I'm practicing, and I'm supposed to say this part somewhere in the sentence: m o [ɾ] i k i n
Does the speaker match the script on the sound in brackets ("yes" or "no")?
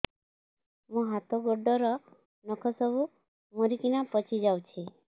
yes